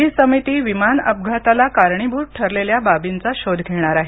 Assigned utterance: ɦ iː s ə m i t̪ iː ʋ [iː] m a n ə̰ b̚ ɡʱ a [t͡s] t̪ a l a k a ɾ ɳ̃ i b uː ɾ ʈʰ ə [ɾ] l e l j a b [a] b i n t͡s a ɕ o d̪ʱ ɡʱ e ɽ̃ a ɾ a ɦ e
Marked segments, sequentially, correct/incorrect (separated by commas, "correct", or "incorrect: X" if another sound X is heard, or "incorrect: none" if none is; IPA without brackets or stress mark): incorrect: i, incorrect: none, correct, correct